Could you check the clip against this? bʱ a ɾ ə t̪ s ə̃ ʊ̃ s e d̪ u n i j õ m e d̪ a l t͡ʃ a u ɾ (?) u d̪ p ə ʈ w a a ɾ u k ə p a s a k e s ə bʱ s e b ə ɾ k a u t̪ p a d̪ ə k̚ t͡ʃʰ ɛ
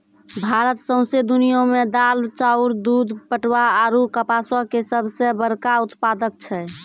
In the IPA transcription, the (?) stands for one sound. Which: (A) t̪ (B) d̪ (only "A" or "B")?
B